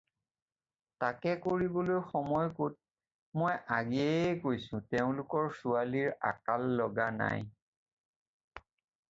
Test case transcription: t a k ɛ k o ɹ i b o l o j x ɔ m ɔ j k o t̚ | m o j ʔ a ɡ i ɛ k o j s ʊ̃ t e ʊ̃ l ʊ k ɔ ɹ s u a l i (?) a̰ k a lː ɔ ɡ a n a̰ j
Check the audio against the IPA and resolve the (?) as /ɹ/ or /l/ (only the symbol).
ɹ